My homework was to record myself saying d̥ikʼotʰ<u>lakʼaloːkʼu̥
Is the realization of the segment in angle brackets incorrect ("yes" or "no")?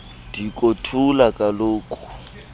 no